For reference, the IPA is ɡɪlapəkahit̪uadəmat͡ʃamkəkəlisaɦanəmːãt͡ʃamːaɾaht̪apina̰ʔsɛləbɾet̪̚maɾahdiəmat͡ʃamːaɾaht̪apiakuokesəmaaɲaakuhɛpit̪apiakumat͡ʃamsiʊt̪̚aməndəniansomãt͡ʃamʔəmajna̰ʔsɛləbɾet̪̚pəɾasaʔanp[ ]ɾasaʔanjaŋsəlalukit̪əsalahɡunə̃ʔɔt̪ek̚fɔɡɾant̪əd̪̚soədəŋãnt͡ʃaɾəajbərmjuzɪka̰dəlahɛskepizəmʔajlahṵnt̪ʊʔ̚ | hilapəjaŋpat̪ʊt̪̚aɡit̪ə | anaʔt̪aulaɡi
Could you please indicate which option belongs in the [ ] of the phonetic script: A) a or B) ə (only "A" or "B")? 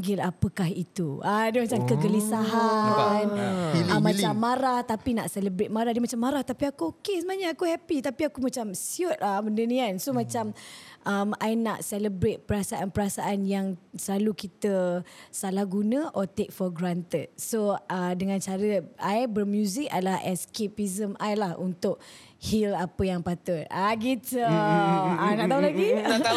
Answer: B